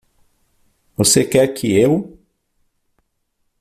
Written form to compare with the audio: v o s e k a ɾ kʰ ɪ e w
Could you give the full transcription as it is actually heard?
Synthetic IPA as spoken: v o s e k ɛ ɾ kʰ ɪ e w